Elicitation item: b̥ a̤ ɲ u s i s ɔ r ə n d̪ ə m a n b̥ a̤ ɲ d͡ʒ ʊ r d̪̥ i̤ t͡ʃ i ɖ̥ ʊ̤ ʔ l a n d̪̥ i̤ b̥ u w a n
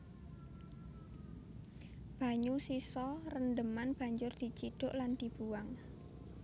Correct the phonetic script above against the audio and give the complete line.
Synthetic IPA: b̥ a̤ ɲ u s i s ɔ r ə n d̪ ə m a n b̥ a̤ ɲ d͡ʒ ʊ r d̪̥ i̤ t͡ʃ i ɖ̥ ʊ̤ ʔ l a n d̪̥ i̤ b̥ u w a ŋ